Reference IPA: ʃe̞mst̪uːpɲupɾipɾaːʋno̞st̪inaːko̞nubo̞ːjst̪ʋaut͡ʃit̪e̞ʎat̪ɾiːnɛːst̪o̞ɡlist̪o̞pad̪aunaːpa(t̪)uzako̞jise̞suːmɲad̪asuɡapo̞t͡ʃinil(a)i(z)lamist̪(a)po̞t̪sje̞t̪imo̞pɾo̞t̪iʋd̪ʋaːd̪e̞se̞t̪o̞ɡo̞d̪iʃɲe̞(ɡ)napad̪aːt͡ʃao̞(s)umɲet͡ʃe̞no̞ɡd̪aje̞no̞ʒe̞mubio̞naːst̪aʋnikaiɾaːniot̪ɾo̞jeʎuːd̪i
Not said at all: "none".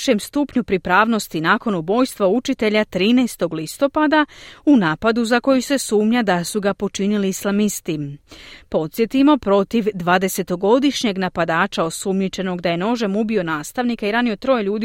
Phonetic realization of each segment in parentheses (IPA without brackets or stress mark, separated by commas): d̪, i, s, i, ɡ, s